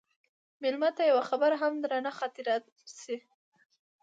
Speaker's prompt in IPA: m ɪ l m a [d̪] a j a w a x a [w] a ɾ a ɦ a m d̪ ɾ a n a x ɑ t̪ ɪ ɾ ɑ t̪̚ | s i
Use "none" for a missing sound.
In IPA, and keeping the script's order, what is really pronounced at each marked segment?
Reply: t̪, b

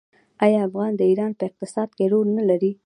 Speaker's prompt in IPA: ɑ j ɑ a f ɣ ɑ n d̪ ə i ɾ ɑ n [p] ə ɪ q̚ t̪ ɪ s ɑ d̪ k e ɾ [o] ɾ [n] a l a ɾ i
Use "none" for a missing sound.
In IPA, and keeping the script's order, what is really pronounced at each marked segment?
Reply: p, o, n

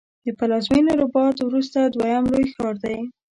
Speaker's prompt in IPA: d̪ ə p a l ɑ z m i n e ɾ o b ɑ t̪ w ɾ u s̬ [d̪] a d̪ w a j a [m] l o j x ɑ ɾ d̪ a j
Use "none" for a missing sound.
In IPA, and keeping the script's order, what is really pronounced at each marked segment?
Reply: t̪, m

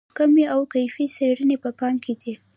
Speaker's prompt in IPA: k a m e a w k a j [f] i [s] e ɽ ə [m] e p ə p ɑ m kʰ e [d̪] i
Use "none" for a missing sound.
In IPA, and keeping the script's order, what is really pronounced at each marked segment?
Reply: f, s, n, d̪

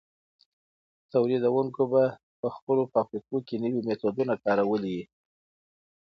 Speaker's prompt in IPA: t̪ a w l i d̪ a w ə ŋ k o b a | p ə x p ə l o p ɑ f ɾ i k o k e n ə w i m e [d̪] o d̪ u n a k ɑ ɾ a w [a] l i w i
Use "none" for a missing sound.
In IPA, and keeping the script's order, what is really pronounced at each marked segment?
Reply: t̪, ə

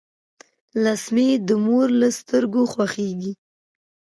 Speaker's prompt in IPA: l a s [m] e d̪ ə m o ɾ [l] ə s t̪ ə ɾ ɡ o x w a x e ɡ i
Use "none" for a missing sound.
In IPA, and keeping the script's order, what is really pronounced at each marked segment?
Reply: m, l

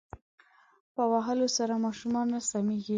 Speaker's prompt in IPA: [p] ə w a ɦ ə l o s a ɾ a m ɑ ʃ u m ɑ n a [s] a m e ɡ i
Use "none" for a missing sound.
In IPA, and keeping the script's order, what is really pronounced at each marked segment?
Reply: p, s

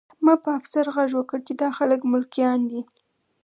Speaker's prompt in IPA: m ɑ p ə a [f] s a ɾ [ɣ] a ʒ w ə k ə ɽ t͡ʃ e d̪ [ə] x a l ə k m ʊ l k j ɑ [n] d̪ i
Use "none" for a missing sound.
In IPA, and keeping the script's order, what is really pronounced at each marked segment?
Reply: f, ɣ, ɑ, n

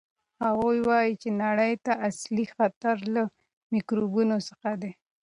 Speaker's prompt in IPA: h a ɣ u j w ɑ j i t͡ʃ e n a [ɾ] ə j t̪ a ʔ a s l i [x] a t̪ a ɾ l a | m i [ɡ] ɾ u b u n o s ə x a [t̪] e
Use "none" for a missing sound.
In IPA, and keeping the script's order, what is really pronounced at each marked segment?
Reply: ɽ, x, k, d̪

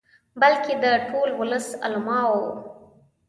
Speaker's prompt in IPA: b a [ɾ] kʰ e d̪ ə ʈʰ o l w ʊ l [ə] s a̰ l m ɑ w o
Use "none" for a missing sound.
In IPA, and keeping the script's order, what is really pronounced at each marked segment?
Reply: l, ə

